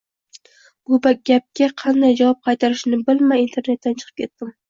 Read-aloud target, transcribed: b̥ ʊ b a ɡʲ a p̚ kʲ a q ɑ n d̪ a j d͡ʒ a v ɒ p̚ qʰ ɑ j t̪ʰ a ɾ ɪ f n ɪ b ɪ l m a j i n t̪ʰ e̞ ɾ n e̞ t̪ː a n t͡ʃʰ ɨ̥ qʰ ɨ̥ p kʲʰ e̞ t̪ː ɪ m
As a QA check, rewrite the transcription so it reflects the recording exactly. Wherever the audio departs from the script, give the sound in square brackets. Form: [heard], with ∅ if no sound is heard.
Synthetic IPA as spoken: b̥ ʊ b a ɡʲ a p̚ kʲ a [qʰ] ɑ n d̪ a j d͡ʒ a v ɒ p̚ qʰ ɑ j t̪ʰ a ɾ ɪ [ʃ] n ɪ b ɪ l m a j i n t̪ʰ e̞ ɾ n e̞ t̪ː a n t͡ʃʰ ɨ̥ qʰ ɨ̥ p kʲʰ e̞ t̪ː ɪ m

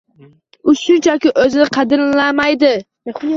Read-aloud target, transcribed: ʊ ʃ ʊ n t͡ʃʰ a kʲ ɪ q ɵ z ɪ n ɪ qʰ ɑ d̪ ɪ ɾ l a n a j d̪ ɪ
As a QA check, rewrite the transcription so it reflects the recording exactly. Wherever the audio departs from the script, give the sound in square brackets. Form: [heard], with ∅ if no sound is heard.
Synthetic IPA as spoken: ʊ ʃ ʊ n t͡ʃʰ a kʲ ɪ [ʔ] ɵ z ɪ n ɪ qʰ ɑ d̪ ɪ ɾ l a [m] a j d̪ ɪ

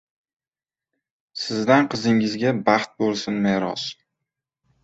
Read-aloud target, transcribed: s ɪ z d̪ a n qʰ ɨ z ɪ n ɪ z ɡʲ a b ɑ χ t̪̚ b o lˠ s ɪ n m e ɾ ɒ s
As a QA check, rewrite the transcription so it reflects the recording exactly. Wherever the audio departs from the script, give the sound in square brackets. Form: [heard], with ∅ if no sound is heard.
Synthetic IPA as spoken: s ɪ z d̪ a n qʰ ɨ z ɪ [ŋ] ɪ z ɡʲ a b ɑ χ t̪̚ b o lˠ s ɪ n m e ɾ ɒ s

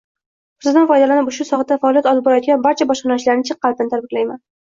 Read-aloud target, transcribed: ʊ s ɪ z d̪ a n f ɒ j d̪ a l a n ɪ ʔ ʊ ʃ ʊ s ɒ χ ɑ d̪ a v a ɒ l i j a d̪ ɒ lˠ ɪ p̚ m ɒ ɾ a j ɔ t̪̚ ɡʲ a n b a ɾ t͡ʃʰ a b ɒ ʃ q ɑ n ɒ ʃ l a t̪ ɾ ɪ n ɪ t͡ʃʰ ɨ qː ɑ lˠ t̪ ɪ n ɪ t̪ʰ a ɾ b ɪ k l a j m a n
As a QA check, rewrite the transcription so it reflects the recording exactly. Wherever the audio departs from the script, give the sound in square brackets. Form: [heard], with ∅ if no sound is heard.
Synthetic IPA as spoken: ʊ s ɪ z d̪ a n f ɒ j d̪ a l a n ɪ [p] ʊ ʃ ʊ s ɒ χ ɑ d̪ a [f] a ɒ l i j a [t̪] ɒ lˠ ɪ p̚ [b] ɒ ɾ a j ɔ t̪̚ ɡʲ a n b a ɾ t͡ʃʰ a b ɒ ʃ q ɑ n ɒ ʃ l a [∅] ɾ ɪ n ɪ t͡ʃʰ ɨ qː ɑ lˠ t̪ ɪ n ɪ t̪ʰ a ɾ b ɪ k l a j m a n

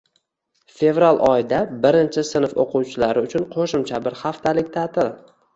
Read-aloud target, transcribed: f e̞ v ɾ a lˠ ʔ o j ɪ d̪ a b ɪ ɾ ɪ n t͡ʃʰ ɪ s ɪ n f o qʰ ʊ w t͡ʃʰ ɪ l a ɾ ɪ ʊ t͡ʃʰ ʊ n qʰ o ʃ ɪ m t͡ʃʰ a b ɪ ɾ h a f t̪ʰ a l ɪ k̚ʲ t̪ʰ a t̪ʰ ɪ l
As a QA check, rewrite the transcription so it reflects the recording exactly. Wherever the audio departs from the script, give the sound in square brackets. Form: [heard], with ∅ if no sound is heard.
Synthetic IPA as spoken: f e̞ v ɾ a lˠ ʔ [ɒ] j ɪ d̪ a b ɪ ɾ ɪ n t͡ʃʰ ɪ s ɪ n f o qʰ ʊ w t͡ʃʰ ɪ l a ɾ ɪ ʊ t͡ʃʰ ʊ n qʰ o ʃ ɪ m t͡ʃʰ a b ɪ ɾ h a f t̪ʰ a l ɪ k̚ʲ t̪ʰ a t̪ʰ ɪ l

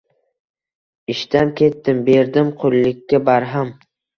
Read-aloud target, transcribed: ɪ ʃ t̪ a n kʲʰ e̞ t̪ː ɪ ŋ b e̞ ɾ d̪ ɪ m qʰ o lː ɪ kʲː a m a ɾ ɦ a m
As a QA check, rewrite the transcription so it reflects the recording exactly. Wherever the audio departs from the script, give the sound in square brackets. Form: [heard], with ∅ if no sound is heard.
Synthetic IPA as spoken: ɪ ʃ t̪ a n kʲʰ e̞ t̪ː ɪ [m] b e̞ ɾ d̪ ɪ m qʰ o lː ɪ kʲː a [b] a ɾ ɦ a m

